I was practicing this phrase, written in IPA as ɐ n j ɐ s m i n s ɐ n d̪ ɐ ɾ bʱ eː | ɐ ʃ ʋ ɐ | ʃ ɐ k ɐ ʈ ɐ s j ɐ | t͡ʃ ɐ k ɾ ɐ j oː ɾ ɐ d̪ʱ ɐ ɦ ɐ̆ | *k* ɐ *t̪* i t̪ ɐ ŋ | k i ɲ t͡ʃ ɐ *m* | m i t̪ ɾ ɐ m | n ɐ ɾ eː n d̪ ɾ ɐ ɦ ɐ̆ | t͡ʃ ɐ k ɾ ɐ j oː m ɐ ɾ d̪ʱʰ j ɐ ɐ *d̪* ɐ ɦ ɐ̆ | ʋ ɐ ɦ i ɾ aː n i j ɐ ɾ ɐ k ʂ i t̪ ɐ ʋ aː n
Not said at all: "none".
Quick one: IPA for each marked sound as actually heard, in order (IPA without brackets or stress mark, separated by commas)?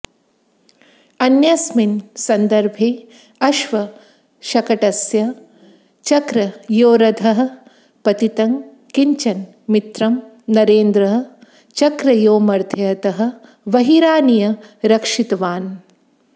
p, t̪, n, t̪